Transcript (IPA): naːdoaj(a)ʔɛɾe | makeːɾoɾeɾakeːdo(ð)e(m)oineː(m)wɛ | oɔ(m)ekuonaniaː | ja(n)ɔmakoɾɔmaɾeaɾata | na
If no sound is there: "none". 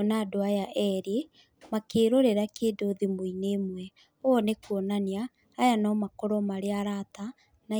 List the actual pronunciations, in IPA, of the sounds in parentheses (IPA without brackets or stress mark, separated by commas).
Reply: a, ð, m, m, n, n